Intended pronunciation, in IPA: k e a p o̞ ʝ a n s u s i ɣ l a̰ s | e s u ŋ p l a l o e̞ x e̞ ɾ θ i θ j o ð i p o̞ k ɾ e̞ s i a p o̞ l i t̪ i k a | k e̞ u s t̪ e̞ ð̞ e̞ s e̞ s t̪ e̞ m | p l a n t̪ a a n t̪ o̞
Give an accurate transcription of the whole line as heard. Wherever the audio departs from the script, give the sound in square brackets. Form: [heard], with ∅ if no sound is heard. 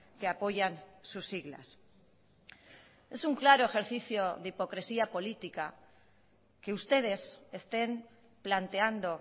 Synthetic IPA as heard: k e a p o̞ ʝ a n s u s i ɣ l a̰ s | e s u ŋ [k] l a [ɾ] o e̞ x e̞ ɾ θ i θ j o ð i p o̞ k ɾ e̞ s i a p o̞ l i t̪ i k a | k e̞ u s t̪ e̞ ð̞ e̞ s e̞ s t̪ e̞ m | p l a n t̪ [e] a n [d̪] o̞